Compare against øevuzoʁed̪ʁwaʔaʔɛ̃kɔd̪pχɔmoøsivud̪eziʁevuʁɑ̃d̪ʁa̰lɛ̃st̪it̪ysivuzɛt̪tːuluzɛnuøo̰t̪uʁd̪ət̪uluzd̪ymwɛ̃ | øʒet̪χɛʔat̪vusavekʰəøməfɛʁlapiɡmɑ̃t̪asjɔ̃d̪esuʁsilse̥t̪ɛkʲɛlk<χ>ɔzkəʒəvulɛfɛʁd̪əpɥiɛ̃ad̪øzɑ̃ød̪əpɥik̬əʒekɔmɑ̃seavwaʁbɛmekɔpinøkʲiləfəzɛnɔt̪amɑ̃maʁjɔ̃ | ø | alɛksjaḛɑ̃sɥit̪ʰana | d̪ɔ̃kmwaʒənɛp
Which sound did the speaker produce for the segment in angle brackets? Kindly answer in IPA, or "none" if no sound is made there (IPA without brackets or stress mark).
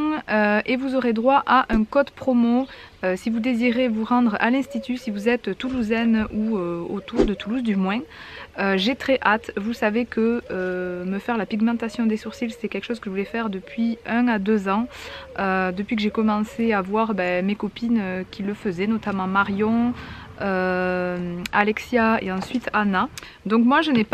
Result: ʃ